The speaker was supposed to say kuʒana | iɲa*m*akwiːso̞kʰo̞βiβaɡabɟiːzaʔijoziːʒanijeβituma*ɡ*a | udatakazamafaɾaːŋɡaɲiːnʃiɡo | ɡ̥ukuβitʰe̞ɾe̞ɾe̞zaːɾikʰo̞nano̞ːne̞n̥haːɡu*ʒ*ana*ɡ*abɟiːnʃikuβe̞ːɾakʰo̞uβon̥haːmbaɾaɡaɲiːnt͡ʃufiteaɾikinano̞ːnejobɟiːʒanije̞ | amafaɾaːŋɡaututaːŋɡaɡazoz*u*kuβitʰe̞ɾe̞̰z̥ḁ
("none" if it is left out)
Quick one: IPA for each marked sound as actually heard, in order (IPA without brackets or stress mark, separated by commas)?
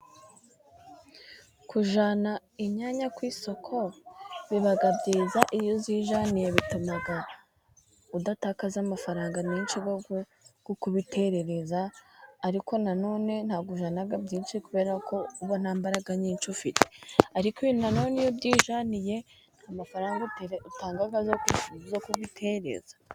ɲ, ɡ, ʒ, ɡ, o